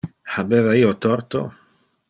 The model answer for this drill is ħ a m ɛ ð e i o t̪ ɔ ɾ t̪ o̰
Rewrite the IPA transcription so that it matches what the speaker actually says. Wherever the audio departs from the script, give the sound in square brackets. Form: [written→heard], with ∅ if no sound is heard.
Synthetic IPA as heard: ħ a [m→b] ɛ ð [e→a] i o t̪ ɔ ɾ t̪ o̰